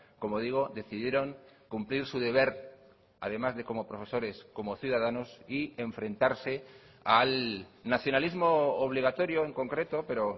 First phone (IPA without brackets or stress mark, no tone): k